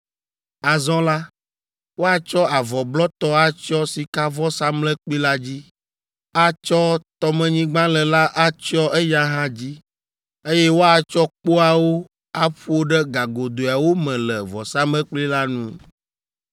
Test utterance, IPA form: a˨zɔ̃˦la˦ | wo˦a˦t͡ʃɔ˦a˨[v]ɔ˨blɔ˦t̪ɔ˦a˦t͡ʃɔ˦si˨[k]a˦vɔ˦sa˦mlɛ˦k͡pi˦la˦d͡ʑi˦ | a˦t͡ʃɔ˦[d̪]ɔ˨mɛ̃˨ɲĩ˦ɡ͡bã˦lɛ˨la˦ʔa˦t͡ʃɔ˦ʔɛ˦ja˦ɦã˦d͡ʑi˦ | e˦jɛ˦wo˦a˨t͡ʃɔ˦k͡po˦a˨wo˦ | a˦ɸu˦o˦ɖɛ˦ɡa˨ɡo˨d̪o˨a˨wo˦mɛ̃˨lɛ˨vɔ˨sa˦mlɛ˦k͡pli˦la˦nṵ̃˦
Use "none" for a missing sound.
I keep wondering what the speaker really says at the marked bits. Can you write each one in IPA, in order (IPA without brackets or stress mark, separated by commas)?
v, k, t̪